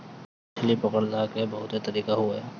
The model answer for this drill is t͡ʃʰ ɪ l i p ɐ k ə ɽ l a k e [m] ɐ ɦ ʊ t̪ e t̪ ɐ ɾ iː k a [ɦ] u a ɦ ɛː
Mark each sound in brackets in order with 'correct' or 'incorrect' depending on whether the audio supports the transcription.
incorrect, correct

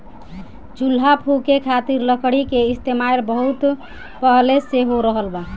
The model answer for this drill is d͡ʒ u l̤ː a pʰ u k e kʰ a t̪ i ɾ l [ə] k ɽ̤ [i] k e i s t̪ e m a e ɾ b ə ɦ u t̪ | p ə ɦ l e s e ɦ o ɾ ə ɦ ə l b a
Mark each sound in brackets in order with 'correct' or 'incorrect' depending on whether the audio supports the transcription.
correct, correct

